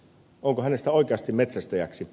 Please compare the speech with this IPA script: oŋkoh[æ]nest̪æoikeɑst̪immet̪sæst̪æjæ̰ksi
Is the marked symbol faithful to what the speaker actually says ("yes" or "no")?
yes